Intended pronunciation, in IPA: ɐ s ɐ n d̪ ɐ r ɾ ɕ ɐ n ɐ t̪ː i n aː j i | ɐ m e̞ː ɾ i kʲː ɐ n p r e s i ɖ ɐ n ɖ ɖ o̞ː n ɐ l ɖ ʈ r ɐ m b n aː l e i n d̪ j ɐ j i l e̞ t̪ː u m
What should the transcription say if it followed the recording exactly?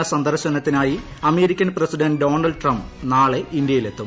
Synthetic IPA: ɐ s ɐ n d̪ ɐ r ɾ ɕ ɐ n ɐ t̪ː i n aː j i | ɐ m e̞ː ɾ i kʲː ɐ n p r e s i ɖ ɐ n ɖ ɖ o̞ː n ɐ l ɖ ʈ r ɐ m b n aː ɭ e i n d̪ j ɐ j i l e̞ t̪ː u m